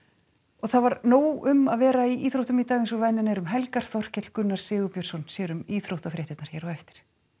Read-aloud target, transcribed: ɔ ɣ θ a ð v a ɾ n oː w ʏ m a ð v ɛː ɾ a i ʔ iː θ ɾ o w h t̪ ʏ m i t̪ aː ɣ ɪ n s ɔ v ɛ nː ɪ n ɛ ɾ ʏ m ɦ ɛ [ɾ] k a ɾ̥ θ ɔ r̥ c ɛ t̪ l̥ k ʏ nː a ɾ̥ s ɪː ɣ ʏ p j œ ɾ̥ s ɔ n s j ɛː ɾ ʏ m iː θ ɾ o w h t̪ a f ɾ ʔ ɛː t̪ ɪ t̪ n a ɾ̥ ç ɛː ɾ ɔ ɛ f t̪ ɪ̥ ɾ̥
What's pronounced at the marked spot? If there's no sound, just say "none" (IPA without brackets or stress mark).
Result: l